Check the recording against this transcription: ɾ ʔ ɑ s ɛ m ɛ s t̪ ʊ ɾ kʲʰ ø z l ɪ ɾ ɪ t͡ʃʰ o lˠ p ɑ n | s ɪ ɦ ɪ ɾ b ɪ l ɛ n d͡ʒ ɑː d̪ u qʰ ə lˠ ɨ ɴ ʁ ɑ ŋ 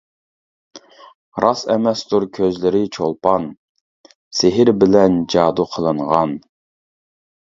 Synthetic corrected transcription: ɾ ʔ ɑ s ɛ m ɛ s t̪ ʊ ɾ kʲʰ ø z l ɪ ɾ ɪ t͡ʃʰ o lˠ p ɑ n | s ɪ ɦ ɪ ɾ b ɪ l ɛ n d͡ʒ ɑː d̪ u qʰ ə lˠ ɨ ɴ ʁ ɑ n

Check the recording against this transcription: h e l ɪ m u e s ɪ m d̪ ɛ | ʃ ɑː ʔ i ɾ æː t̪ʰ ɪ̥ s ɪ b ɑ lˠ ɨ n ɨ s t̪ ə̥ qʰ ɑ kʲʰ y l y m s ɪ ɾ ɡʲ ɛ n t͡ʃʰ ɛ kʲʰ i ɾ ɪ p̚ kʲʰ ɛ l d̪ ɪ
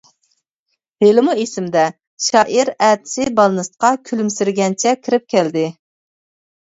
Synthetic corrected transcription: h e l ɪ m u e s ɪ m d̪ ɛ | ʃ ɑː ʔ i ɾ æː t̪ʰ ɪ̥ s ɪ b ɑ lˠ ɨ n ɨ s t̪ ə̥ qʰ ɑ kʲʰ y l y m s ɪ ɾ ɡʲ ɛ n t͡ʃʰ ɛ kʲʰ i ɾ ɪ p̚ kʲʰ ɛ l d̪ ɪ

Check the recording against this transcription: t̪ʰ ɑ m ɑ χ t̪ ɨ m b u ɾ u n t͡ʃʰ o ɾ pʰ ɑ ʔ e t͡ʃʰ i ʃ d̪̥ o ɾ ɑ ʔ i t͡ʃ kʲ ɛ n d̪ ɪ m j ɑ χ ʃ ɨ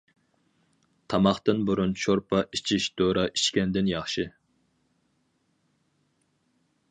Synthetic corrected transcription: t̪ʰ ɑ m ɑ χ t̪ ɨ n b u ɾ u n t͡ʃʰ o ɾ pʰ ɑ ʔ i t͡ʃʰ i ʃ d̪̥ o ɾ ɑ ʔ i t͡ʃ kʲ ɛ n d̪ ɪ n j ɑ χ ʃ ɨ

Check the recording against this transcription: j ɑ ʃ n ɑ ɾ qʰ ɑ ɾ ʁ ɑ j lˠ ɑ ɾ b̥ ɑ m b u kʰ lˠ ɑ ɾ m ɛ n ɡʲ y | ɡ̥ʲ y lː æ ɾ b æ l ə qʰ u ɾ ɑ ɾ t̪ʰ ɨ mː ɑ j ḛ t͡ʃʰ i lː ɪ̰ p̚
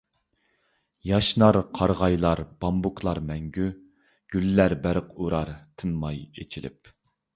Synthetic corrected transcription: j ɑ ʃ n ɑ ɾ qʰ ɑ ɾ ʁ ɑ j lˠ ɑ ɾ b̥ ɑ m b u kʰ lˠ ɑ ɾ m ɛ ŋ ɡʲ y | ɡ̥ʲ y lː æ ɾ b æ ɾ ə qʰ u ɾ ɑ ɾ t̪ʰ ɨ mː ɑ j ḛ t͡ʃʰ i l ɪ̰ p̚

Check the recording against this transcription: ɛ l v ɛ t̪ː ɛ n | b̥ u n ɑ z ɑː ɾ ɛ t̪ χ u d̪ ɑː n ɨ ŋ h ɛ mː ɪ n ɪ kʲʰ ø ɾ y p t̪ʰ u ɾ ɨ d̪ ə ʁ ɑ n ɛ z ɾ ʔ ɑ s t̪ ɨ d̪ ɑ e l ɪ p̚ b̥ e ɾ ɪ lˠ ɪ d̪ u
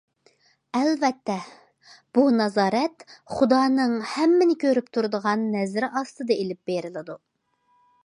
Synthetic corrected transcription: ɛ l v ɛ t̪ː ɛ | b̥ u n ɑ z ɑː ɾ ɛ t̪ χ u d̪ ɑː n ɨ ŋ h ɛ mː ɪ n ɪ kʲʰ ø ɾ y p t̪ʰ u ɾ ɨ d̪ ə ʁ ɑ nː ɛ z ɾ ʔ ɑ s t̪ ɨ d̪ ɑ e l ɪ p̚ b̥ e ɾ ɪ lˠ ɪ d̪ u

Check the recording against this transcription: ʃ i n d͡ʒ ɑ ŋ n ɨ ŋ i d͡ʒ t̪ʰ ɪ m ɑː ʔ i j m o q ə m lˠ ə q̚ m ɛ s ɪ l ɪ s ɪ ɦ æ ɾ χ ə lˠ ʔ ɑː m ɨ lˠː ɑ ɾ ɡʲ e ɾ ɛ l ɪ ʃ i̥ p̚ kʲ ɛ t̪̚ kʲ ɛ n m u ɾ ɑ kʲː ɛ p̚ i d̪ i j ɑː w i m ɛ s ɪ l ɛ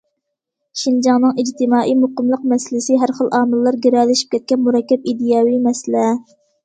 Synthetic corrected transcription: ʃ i n d͡ʒ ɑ ŋ n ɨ ŋ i d͡ʒ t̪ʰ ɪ m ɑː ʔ i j m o q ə m lˠ ə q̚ m ɛ s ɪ l ɪ s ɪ ɦ æ ɾ χ ə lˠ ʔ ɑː m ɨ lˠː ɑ ɾ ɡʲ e ɾ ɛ l ɪ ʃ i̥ p̚ kʲ ɛ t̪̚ kʲ ɛ n m u ɾ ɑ kʲː ɛ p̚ i d̪ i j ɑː w i m ɛ s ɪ l ɛ

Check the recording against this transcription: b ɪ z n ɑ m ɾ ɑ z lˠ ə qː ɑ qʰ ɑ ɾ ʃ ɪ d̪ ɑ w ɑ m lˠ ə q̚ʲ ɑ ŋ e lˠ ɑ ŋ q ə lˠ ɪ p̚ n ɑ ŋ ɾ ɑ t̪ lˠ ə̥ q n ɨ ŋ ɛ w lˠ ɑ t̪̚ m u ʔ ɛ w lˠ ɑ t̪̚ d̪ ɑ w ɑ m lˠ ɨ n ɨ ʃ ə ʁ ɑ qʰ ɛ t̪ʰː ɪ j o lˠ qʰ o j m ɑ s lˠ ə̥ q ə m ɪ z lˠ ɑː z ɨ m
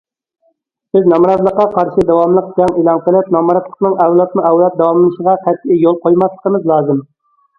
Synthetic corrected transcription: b ɪ z n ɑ m ɾ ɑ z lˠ ə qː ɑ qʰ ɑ ɾ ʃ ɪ d̪ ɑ w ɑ m lˠ ə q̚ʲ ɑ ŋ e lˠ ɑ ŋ q ə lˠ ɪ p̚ n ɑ m ɾ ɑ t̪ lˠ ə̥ q n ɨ ŋ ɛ w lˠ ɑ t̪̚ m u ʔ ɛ w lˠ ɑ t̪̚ d̪ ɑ w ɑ m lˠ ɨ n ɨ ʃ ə ʁ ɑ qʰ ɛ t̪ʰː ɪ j o lˠ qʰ o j m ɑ s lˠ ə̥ q ə m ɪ z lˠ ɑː z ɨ m

